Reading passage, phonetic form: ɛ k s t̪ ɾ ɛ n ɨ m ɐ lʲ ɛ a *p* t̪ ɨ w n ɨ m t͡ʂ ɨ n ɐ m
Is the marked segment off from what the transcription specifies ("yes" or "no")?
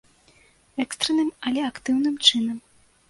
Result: yes